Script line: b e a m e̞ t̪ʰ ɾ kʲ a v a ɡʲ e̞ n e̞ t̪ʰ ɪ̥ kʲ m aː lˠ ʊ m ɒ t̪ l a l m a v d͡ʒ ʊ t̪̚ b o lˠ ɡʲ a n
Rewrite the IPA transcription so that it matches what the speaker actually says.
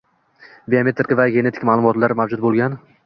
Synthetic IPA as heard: b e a m e̞ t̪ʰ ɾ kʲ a v a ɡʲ e̞ n e̞ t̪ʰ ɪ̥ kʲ m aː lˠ ʊ m ɒ t̪ l a ɾ m a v d͡ʒ ʊ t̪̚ b o lˠ ɡʲ a n